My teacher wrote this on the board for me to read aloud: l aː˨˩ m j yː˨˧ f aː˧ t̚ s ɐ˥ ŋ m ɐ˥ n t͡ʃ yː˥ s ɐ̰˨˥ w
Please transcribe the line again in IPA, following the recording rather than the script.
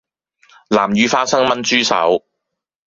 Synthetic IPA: l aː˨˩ m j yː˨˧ f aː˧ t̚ s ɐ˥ ŋ m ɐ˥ n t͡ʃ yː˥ s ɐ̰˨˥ w